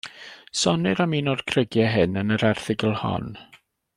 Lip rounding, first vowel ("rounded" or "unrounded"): rounded